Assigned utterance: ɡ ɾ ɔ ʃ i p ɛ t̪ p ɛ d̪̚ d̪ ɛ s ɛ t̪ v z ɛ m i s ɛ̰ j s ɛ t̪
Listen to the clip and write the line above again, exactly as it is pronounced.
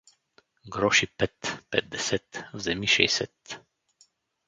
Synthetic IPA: ɡ ɾ ɔ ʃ i p ɛ t̪ p ɛ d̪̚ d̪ ɛ s ɛ t̪ v z ɛ m i ʃ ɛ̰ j s ɛ t̪